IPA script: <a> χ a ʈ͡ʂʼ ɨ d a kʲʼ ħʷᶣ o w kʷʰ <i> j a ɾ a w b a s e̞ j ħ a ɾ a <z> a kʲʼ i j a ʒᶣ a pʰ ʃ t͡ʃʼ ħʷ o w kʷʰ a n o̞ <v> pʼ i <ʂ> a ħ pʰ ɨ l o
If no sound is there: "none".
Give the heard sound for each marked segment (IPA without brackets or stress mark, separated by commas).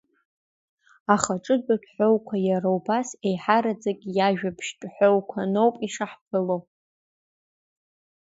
a, a, d͡z, w, ʂ